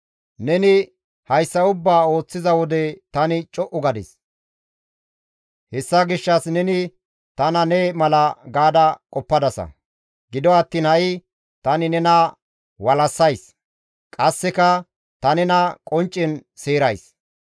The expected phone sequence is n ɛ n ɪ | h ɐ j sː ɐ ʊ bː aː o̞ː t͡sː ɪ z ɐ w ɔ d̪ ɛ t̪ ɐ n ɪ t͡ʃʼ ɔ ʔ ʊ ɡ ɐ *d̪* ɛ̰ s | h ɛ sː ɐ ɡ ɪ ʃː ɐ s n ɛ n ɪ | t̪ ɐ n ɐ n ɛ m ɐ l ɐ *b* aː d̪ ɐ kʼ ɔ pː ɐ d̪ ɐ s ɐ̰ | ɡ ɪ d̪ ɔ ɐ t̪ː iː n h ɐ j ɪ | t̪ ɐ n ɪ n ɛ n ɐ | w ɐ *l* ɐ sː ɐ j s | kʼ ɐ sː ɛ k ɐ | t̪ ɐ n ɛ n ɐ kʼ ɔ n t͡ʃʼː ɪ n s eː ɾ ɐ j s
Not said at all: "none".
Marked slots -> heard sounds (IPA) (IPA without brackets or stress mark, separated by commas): d̪, ɡ, l